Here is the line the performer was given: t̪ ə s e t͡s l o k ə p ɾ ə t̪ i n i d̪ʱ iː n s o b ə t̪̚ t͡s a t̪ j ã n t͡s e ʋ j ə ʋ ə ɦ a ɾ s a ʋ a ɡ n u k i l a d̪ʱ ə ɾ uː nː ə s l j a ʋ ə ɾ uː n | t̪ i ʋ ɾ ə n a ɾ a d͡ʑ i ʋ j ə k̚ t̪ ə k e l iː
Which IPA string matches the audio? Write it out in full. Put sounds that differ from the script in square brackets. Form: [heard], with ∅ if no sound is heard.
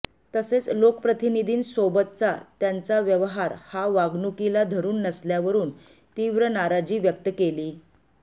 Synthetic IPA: t̪ ə s e t͡s l o k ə p ɾ ə t̪ i n i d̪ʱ iː n s o b ə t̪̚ t͡s a t̪ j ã n t͡s [a] ʋ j ə ʋ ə ɦ a ɾ [h] a ʋ a ɡ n u k i l a d̪ʱ ə ɾ uː nː ə s l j a ʋ ə ɾ uː n | t̪ i ʋ ɾ ə n a ɾ a d͡ʑ [iː] ʋ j ə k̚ t̪ ə k e l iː